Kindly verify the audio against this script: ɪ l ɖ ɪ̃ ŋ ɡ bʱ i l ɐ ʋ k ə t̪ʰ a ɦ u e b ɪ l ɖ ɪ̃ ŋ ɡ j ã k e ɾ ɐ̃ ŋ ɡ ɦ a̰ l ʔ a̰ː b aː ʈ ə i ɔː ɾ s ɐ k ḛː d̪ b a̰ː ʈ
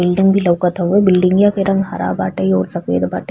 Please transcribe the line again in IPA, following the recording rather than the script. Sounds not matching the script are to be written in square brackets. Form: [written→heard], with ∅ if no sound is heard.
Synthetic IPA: ɪ l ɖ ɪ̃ ŋ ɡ bʱ i l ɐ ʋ k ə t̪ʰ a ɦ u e b ɪ l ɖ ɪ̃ ŋ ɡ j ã k e ɾ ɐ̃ ŋ ɡ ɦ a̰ [l→ɾ] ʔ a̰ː b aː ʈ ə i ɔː ɾ s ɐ k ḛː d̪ b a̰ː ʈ